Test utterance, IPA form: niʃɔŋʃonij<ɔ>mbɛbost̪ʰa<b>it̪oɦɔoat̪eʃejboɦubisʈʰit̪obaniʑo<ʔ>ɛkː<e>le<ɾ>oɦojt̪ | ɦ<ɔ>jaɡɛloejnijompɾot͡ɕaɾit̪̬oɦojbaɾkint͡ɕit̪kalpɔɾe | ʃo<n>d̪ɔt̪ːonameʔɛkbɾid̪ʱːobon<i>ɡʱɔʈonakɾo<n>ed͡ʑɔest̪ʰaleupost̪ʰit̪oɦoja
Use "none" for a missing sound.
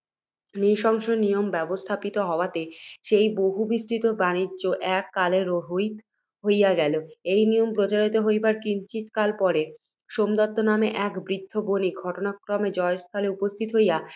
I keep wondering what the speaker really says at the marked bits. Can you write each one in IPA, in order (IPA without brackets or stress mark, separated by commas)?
o, p, ʔ, a, ɾ, o, m, i, m